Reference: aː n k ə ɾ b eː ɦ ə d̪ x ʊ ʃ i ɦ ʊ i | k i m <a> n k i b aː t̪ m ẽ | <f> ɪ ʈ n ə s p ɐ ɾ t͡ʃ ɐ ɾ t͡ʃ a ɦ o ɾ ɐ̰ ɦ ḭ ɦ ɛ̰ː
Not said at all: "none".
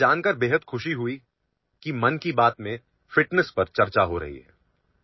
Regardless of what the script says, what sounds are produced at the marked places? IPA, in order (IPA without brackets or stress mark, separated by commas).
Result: ɐ, f